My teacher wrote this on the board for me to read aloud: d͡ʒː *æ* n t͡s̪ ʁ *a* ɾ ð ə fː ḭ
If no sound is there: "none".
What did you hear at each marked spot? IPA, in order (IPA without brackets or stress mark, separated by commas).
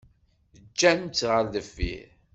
æ, ə